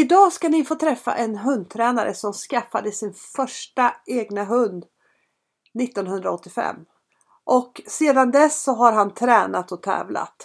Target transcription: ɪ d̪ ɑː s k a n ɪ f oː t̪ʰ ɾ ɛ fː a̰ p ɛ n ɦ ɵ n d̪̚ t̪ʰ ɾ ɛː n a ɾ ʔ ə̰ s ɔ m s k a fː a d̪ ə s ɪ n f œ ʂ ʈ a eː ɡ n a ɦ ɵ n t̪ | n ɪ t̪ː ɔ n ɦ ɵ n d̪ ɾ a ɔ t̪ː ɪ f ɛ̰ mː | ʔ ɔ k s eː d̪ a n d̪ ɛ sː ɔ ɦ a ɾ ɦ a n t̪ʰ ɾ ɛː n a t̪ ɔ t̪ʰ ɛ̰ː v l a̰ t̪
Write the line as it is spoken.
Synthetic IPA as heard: ɪ d̪ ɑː s k a n ɪ f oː t̪ʰ ɾ ɛ fː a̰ ʔ ɛ n ɦ ɵ n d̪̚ t̪ʰ ɾ ɛː n a ɾ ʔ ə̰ s ɔ m s k a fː a d̪ ə s ɪ n f œ ʂ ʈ a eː ɡ n a ɦ ɵ n d̪ | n ɪ t̪ː ɔ n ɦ ɵ n d̪ ɾ a ɔ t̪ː ɪ f ɛ̰ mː | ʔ ɔ k s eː d̪ a n d̪ ɛ sː ɔ ɦ a ɾ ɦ a n t̪ʰ ɾ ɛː n a t̪ ɔ t̪ʰ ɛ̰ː v l a̰ t̪